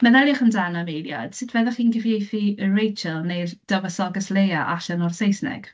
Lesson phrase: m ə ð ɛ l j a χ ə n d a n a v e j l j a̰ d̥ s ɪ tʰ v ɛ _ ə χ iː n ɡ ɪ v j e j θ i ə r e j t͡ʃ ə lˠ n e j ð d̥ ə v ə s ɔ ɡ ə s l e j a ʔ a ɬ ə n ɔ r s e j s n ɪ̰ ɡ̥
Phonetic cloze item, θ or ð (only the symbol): ð